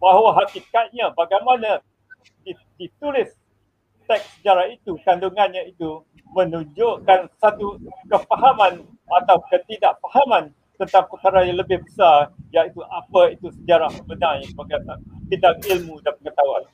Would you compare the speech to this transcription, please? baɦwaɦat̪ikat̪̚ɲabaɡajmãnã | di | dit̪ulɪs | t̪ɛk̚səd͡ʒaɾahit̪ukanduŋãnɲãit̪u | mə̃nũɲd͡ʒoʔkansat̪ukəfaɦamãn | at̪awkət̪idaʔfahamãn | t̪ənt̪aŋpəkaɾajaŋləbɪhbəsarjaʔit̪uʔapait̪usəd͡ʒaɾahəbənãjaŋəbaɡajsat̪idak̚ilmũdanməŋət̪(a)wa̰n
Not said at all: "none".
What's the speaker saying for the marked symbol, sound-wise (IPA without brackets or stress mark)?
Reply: a